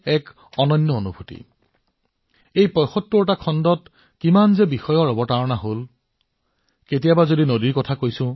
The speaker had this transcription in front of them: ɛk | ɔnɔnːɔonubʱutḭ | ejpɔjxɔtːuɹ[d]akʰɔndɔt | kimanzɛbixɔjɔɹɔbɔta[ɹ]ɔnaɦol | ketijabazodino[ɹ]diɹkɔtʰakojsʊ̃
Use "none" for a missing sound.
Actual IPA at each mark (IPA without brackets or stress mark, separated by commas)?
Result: t, ɹ, none